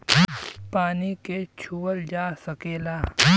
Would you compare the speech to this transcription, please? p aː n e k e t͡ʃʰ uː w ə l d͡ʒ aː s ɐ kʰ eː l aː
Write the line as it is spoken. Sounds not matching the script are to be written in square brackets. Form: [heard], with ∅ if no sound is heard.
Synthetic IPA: p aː n [i] k e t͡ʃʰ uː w ə l d͡ʒ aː s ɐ [k] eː l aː